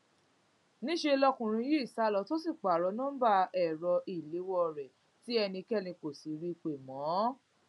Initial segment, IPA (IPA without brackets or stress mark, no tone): n